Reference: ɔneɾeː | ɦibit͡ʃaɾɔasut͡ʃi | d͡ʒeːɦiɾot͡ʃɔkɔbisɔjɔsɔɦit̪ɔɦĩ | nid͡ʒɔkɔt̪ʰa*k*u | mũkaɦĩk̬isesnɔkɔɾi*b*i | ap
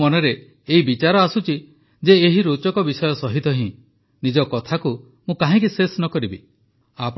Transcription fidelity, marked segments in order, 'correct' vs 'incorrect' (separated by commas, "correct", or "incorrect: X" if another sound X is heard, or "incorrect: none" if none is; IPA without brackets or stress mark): correct, correct